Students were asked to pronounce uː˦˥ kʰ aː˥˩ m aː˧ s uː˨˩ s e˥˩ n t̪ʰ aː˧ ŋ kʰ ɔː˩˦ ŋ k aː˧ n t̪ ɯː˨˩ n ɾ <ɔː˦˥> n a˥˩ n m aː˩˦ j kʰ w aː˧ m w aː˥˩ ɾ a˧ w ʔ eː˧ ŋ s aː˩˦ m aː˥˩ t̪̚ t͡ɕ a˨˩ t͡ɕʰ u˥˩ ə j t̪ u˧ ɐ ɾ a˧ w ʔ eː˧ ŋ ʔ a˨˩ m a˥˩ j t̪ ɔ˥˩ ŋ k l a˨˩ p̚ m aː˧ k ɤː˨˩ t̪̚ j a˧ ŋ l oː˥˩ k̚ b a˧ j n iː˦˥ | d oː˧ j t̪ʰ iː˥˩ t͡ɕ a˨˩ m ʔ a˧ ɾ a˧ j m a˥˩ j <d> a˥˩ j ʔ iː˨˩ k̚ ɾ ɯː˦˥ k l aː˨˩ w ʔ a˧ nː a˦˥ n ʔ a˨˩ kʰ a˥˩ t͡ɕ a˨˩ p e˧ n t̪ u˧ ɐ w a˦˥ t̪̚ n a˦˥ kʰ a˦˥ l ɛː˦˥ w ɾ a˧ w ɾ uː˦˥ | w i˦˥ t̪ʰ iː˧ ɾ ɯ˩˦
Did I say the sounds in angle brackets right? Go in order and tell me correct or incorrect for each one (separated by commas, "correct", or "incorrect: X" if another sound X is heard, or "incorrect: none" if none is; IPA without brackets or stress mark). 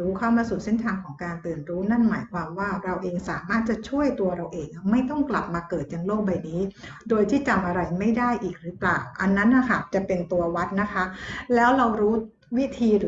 incorrect: uː˦˥, correct